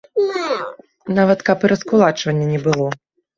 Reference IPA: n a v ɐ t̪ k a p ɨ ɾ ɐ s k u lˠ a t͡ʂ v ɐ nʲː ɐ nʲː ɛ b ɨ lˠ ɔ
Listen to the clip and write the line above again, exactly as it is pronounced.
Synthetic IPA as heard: n a v ɐ t̪ k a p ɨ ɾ ɐ s k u lˠ a t͡ʂ v ɐ nʲː ɐ nʲ ɛ b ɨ lˠ ɔ